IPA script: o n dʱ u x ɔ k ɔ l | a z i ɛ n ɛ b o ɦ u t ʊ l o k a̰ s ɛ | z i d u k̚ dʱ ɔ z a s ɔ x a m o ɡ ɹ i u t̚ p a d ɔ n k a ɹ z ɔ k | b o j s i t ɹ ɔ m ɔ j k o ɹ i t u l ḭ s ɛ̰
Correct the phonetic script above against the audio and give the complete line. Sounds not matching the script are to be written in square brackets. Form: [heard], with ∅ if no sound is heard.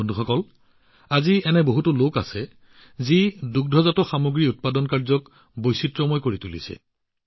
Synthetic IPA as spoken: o n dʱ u x ɔ k ɔ l | a z i ɛ n ɛ b o ɦ u t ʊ l o k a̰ s ɛ | z i d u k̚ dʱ ɔ z a [t] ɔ x a m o ɡ ɹ i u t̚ p a d ɔ n k a ɹ z ɔ k | b o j s i t ɹ ɔ m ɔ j k o ɹ i t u l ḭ s ɛ̰